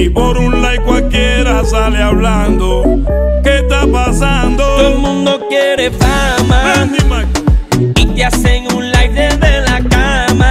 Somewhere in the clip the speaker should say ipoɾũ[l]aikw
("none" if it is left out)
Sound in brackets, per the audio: l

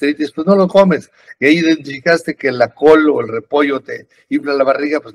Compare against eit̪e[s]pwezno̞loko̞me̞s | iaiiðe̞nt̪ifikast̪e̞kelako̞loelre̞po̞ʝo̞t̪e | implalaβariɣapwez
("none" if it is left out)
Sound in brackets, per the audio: s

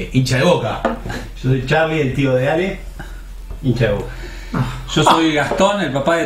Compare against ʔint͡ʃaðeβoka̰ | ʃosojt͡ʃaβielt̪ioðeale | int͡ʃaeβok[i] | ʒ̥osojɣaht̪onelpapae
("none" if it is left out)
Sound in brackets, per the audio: a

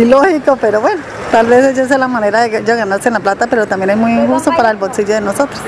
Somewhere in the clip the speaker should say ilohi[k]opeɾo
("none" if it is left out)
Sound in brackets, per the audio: k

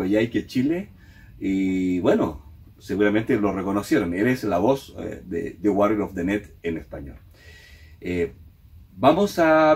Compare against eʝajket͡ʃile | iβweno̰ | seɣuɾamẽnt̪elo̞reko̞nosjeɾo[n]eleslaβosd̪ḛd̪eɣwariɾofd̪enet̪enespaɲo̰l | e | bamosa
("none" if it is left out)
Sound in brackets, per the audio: n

